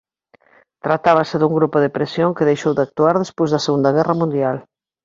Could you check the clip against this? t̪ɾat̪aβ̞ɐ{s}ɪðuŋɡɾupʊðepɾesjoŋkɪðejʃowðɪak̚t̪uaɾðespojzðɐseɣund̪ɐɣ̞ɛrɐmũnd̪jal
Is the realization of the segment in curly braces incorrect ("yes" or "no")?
no